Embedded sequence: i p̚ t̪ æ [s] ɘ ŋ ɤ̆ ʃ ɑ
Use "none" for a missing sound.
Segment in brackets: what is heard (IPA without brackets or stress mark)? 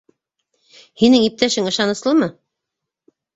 ʃ